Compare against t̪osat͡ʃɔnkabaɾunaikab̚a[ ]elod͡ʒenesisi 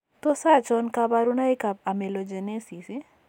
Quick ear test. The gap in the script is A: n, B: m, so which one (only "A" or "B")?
B